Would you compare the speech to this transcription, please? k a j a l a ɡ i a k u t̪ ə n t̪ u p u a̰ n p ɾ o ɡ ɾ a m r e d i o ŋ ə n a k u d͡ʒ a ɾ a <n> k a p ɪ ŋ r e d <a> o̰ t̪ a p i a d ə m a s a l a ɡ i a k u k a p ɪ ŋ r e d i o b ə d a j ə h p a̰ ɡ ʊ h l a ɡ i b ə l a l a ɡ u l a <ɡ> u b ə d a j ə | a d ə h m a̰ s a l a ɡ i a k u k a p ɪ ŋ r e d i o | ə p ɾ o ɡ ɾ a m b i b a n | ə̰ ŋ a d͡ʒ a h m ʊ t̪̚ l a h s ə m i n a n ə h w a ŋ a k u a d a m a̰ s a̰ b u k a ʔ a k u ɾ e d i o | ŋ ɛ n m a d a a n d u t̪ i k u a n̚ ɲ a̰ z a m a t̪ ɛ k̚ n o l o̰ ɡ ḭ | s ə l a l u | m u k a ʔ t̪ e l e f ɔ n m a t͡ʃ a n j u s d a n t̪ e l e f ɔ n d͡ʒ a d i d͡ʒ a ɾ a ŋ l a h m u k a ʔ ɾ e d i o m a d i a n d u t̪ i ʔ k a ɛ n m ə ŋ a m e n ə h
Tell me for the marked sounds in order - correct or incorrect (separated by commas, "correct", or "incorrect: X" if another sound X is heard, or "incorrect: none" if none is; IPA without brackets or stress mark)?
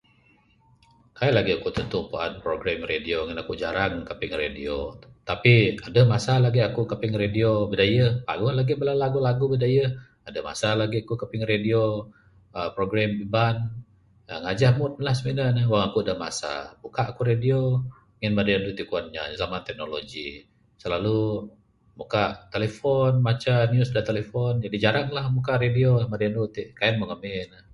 incorrect: ŋ, incorrect: i, correct